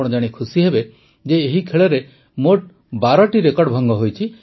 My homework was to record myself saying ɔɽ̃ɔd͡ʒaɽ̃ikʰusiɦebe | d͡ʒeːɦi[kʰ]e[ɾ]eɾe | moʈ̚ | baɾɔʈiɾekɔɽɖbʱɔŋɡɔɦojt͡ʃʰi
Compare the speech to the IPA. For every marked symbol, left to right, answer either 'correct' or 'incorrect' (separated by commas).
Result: correct, incorrect